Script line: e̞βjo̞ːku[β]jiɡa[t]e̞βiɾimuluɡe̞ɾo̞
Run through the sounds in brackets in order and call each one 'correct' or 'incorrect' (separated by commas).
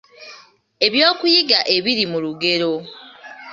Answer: incorrect, incorrect